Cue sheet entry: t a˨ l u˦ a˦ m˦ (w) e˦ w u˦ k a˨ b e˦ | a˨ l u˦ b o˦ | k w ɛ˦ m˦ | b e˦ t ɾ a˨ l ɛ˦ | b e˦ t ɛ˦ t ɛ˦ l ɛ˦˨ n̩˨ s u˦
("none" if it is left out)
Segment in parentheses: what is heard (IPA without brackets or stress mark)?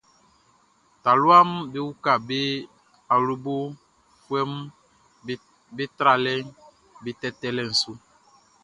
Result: b